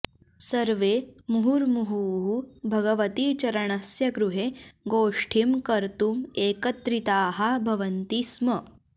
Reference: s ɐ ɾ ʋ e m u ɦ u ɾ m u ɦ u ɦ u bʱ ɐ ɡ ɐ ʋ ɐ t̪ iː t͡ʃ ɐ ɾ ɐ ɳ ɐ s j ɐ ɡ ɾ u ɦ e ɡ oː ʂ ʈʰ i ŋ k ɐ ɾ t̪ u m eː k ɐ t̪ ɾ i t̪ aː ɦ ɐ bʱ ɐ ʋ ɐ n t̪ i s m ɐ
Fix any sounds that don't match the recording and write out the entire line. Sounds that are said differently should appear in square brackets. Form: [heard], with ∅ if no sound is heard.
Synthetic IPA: s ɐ ɾ ʋ e m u ɦ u ɾ m u ɦ u ɦ u bʱ ɐ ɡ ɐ ʋ ɐ t̪ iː t͡ʃ ɐ ɾ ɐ ɳ ɐ s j ɐ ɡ ɾ u ɦ e ɡ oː ʂ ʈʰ i [m] k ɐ ɾ t̪ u m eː k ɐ t̪ ɾ i t̪ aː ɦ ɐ bʱ ɐ ʋ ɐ n t̪ i s m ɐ